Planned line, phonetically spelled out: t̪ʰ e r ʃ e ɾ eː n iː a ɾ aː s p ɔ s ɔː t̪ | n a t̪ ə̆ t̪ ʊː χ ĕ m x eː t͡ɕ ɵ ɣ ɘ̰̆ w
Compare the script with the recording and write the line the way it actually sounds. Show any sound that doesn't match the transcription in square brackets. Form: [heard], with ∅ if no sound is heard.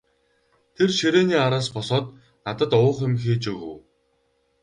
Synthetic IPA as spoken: t̪ʰ e r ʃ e ɾ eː n iː a ɾ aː s p ɔ s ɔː t̪ | n a t̪ ə̆ t̪ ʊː χ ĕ m x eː t͡ɕ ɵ ɣ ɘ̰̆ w